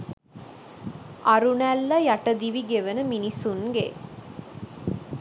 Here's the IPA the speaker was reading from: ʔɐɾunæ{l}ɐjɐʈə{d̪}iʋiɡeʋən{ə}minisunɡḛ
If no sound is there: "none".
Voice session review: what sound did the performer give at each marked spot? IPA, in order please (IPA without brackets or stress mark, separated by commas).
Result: lː, d̪, ə